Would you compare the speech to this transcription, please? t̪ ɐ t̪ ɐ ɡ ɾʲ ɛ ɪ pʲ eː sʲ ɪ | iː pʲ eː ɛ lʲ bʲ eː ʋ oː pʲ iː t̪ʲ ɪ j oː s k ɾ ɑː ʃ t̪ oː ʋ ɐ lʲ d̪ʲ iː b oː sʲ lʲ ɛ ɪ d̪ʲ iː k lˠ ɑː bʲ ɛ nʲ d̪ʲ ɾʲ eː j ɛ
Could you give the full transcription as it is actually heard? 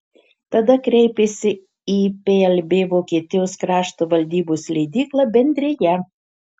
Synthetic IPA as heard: t̪ ɐ d̪ ɐ k ɾʲ ɛ ɪ pʲ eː sʲ ɪ | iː pʲ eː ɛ lʲ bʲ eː ʋ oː kʲ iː t̪ʲ ɪ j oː s k ɾ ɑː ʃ t̪ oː ʋ ɐ lʲ d̪ʲ iː b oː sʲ lʲ ɛ ɪ d̪ʲ iː k lˠ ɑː bʲ ɛ nʲ d̪ʲ ɾʲ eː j ɛ

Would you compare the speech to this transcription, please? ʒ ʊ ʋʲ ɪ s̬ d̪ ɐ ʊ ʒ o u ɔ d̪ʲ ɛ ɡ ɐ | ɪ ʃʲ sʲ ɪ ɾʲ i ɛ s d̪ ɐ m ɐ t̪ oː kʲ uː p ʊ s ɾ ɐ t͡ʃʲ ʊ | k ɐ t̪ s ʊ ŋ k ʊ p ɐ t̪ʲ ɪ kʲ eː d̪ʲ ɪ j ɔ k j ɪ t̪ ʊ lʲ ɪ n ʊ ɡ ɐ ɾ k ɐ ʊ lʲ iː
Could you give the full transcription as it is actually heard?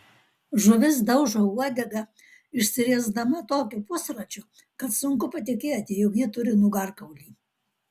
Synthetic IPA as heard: ʒ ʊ ʋʲ ɪ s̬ d̪ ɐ ʊ ʒ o u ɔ d̪ʲ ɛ ɡ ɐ | ɪ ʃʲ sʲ ɪ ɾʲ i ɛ z d̪ ɐ m ɐ t̪ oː kʲ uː p ʊ s ɾ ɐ t͡ʃʲ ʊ | k ɐ t̪ s ʊ ŋ k ʊ p ɐ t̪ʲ ɪ kʲ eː t̪ʲ ɪ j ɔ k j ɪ t̪ ʊ ɾʲ ɪ n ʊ ɡ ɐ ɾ k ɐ ʊ lʲ iː

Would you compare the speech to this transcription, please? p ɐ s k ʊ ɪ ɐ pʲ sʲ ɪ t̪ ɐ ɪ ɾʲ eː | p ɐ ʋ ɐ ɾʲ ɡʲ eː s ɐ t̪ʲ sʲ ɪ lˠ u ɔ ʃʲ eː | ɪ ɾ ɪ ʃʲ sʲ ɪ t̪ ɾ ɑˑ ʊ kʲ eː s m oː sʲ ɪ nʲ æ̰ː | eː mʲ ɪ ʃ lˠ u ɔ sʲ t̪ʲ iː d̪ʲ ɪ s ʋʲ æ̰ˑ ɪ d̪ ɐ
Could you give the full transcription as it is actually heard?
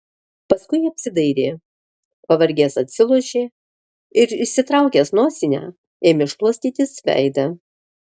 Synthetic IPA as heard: p ɐ s k ʊ ɪ ɐ pʲ sʲ ɪ d̪ ɐ ɪ ɾʲ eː | p ɐ ʋ ɐ ɾʲ ɡʲ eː s ɐ t̪ʲ sʲ ɪ lˠ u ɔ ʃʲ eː | ɪ ɾ ɪ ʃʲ sʲ ɪ t̪ ɾ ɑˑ ʊ kʲ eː s n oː sʲ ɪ nʲ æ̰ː | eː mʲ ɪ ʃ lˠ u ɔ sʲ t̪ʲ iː t̪ʲ ɪ s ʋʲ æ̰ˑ ɪ d̪ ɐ

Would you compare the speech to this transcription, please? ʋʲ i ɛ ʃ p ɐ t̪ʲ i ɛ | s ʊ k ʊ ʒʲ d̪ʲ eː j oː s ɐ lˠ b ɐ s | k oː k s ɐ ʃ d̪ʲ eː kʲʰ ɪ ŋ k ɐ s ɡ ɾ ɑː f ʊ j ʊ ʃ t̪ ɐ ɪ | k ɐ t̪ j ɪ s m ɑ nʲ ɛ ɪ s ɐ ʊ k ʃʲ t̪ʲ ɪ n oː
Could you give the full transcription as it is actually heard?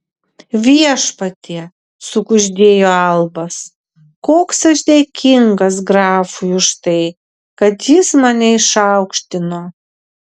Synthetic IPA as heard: ʋʲ i ɛ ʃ p ɐ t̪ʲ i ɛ | s ʊ k ʊ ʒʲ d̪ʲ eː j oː ɐ lˠ b ɐ s | k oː k s ɐ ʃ d̪ʲ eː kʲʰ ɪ ŋ ɡ ɐ s ɡ ɾ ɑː f ʊ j ʊ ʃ t̪ ɐ ɪ | k ɐ t̪ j ɪ s m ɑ nʲ ɛ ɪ ʃ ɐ ʊ k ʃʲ t̪ʲ ɪ n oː

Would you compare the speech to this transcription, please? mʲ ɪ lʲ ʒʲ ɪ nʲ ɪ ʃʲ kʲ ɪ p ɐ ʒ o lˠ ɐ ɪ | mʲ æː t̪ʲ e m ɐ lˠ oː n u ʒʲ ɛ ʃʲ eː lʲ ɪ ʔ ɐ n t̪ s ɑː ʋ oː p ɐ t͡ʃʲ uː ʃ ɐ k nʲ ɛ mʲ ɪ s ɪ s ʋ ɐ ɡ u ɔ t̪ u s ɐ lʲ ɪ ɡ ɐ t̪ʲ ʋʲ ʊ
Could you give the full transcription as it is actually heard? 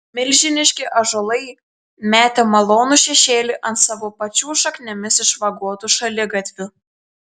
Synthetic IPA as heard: mʲ ɪ lʲ ʒʲ ɪ nʲ ɪ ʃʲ kʲ ɪ ʔ ɐ ʒ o lˠ ɐ ɪ | mʲ æː t̪ʲ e m ɐ lˠ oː n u ʃʲ ɛ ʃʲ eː lʲ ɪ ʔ ɐ n t̪ s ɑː ʋ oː p ɐ t͡ʃʲ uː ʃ ɐ k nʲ ɛ mʲ ɪ s ɪ ʃ ʋ ɐ ɡ u ɔ t̪ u ʃ ɐ lʲ ɪ ɡ ɐ t̪ʲ ʋʲ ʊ

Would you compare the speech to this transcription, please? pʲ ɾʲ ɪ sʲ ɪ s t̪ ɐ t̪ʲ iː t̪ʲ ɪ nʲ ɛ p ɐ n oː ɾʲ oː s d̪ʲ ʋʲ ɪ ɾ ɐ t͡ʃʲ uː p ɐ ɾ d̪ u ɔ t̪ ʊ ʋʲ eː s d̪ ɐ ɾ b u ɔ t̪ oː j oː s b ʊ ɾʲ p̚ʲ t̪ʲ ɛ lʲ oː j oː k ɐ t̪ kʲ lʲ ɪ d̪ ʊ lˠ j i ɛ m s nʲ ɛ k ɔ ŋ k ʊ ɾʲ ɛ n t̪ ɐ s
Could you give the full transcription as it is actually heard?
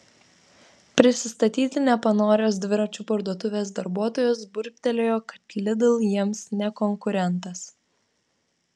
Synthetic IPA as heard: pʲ ɾʲ ɪ sʲ ɪ s t̪ ɐ t̪ʲ iː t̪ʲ ɪ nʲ ɛ p ɐ n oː ɾʲ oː s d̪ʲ ʋʲ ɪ ɾ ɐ t͡ʃʲ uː p ɐ ɾ d̪ u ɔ t̪ ʊ ʋʲ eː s d̪ ɐ ɾ b u ɔ t̪ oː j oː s b ʊ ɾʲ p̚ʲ t̪ʲ ɛ lʲ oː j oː k ɐ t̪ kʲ lʲ ɪ d̪ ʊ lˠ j i ɛ m s nʲ ɛ k ɔ ŋ k ʊ ɾʲ ɛ n t̪ ɐ s

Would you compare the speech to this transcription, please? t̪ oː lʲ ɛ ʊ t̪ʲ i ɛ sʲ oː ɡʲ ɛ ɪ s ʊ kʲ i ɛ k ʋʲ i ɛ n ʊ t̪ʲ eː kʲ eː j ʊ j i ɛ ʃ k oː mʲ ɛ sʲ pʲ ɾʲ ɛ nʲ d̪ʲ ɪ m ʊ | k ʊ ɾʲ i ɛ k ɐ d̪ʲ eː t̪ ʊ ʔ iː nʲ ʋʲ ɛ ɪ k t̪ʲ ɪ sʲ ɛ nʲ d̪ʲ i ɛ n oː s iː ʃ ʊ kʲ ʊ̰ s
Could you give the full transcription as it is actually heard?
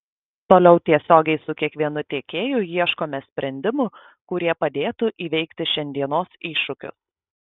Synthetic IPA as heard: t̪ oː lʲ ɛ ʊ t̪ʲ i ɛ sʲ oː ɡʲ ɛ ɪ s ʊ kʲ i ɛ k ʋʲ i ɛ n ʊ t̪ʲ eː kʲ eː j ʊ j i ɛ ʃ k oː mʲ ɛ sʲ pʲ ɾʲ ɛ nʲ d̪ʲ ɪ m ʊ | k ʊ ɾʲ i ɛ p ɐ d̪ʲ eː t̪ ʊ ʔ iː ʋʲ ɛ ɪ k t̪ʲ ɪ ʃʲ ɛ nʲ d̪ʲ i ɛ n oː s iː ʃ ʊ kʲ ʊ̰ s

